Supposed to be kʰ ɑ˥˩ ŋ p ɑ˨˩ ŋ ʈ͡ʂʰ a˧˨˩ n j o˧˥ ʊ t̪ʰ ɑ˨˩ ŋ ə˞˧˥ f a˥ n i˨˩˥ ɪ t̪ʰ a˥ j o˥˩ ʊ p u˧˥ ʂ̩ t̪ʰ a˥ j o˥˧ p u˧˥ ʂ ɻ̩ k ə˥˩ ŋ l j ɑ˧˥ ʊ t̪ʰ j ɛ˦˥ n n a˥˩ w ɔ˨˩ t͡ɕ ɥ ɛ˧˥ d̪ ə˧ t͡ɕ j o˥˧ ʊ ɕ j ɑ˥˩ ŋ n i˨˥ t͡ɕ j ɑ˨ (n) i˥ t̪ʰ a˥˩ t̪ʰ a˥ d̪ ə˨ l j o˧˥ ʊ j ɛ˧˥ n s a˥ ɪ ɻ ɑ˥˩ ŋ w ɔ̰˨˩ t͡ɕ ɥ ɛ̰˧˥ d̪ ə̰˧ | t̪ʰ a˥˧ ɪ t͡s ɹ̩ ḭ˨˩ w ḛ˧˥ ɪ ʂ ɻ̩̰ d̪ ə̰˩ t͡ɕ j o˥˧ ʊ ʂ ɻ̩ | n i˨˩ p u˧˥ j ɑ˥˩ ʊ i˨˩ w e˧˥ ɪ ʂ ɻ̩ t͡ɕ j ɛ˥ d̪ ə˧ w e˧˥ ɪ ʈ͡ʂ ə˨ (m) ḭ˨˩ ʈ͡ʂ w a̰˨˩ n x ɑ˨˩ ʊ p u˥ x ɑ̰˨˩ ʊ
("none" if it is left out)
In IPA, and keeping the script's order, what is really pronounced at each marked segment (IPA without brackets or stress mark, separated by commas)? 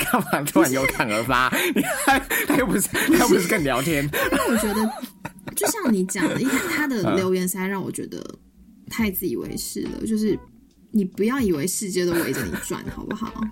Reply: ŋ, n